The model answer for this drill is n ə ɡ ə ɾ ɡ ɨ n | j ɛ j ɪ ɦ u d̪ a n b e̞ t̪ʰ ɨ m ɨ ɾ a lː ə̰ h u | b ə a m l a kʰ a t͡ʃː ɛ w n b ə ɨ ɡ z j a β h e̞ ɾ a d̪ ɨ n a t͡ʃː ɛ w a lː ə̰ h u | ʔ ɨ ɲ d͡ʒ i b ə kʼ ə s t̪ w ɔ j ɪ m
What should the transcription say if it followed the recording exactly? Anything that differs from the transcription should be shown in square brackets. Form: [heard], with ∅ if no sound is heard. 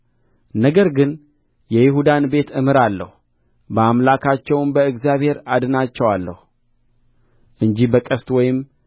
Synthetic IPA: n ə ɡ ə ɾ ɡ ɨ n | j ɛ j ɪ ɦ u d̪ a n b e̞ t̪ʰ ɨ m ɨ ɾ a lː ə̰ h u | b ə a m l a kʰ a t͡ʃː ɛ w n b ə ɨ ɡ z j a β h e̞ ɾ a d̪ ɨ n a t͡ʃː ɛ w a lː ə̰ h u | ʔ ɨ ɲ d͡ʒ i b ə kʼ ə s t̪ w ɔ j ɪ m